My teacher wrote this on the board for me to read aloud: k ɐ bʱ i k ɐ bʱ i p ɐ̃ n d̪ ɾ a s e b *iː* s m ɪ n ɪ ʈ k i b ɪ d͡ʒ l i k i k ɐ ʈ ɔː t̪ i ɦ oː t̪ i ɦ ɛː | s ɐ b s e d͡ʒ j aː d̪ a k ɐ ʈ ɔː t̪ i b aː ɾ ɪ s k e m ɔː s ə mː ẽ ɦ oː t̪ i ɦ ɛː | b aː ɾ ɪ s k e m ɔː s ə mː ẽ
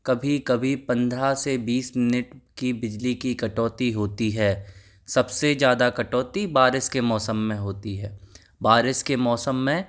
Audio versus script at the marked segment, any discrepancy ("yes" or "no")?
no